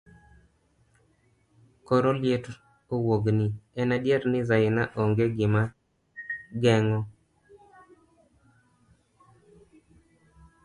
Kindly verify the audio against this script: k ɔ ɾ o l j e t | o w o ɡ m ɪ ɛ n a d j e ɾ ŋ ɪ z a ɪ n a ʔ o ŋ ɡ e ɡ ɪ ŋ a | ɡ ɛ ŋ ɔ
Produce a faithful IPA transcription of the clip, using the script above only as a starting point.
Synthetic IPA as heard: k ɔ ɾ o l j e t | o w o ɡ n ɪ ɛ n a d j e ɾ n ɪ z a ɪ n a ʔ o ŋ ɡ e ɡ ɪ m a | ɡ ɛ ŋ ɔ